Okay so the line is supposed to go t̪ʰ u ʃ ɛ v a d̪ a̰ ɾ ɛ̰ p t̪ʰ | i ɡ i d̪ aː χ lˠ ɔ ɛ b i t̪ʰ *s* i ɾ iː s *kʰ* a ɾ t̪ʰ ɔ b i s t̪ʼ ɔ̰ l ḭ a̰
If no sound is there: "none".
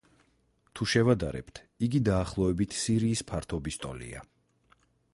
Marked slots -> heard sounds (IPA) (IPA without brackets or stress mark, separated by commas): s, pʰ